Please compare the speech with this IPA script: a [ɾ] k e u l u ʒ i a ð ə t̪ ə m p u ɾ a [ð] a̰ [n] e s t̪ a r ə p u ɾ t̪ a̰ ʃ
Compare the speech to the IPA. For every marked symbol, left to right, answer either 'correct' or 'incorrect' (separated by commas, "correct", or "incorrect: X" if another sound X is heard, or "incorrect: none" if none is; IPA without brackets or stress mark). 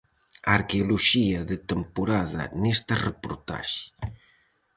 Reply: correct, correct, correct